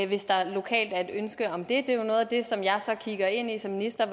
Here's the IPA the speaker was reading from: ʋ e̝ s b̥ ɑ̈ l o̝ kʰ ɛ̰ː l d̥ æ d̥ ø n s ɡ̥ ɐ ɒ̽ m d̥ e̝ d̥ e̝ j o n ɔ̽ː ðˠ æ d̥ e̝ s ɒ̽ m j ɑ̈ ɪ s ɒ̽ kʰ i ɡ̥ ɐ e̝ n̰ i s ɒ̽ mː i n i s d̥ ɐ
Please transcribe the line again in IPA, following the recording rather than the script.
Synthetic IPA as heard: ʋ e̝ s d̥ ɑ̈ l o̝ kʰ ɛ̰ː l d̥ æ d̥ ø n s ɡ̥ ə ɒ̽ m d̥ e̝ d̥ e̝ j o n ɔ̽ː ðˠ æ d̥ e̝ s ɒ̽ m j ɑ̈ ɪ s ɒ̽ kʰ i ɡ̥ ɐ e̝ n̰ i s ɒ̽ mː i n i s d̥ ɐ